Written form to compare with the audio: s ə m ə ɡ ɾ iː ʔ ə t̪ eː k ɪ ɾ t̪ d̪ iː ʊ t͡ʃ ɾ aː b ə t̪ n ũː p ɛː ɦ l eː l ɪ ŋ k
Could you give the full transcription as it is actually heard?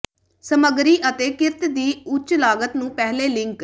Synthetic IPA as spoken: s ə m ə ɡ ɾ iː ʔ ə t̪ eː k ɪ ɾ t̪ d̪ iː ʊ t͡ʃ l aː ɡ ə t̪ n ũː p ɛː ɦ l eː l ɪ ŋ k